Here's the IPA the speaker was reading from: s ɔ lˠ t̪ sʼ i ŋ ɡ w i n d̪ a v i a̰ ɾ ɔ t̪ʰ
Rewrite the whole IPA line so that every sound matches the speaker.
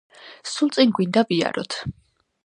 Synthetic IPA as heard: s u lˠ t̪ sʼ i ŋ ɡ w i n d̪ a v i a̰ ɾ ɔ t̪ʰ